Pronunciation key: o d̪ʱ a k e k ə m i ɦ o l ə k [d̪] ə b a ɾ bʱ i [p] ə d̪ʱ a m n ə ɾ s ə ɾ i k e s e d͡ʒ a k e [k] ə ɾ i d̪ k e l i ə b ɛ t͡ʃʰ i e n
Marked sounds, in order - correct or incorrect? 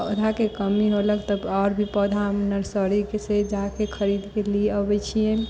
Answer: incorrect, correct, incorrect

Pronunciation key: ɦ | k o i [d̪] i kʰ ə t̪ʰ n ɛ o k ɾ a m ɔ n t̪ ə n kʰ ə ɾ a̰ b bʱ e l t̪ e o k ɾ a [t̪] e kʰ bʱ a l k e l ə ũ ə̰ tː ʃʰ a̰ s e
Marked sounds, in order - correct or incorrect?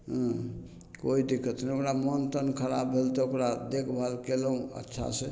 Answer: correct, incorrect

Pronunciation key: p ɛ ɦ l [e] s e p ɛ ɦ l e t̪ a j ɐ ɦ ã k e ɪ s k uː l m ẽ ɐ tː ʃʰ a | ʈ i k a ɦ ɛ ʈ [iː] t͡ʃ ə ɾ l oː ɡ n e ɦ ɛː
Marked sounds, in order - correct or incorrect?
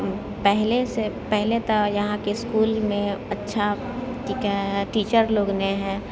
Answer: correct, correct

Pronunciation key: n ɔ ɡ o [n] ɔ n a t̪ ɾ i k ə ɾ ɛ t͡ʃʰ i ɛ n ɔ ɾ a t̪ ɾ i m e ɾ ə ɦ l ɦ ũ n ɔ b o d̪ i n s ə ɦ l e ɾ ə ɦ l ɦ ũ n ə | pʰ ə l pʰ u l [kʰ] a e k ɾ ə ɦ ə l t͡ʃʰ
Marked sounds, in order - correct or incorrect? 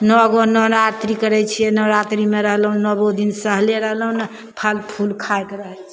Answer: correct, correct

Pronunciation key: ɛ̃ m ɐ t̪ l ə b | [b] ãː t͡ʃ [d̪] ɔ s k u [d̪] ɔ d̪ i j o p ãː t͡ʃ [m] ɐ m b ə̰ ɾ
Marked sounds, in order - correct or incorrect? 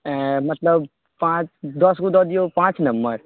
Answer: incorrect, correct, correct, incorrect

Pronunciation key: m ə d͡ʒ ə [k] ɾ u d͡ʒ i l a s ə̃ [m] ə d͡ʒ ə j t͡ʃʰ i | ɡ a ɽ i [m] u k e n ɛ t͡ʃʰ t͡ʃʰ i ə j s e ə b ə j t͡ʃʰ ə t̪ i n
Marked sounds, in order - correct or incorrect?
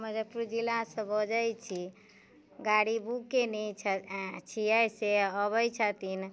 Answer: incorrect, incorrect, incorrect

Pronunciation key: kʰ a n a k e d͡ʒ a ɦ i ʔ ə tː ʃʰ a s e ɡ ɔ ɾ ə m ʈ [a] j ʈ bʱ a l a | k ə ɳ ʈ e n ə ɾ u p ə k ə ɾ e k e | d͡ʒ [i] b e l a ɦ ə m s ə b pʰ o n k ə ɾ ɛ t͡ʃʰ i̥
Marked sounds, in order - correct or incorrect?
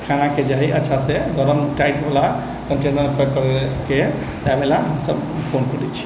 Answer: correct, incorrect

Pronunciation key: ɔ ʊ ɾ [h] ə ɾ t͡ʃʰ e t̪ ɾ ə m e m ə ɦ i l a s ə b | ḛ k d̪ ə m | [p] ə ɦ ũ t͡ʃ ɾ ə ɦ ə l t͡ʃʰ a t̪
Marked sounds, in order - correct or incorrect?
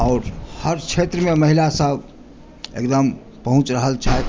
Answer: correct, correct

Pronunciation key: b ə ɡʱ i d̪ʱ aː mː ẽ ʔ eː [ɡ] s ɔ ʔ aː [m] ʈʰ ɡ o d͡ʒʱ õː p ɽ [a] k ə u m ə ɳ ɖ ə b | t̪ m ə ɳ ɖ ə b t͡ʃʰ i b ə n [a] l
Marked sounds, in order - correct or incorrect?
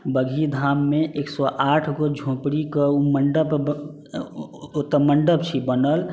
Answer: incorrect, incorrect, incorrect, incorrect

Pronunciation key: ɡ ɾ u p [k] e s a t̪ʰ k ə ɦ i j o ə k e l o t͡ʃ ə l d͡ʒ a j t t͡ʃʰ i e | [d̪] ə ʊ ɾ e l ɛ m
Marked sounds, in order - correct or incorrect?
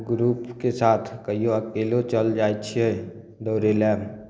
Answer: correct, correct

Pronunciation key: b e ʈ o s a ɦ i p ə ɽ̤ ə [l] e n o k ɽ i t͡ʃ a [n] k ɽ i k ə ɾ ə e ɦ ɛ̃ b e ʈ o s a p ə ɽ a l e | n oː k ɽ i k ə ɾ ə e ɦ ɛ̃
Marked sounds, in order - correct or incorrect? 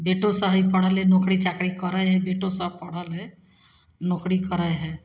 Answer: correct, incorrect

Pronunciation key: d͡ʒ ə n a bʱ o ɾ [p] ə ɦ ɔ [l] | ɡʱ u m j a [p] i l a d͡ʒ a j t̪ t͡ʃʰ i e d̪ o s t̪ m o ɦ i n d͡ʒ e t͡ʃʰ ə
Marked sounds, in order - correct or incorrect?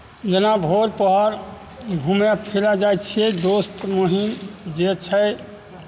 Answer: correct, incorrect, incorrect

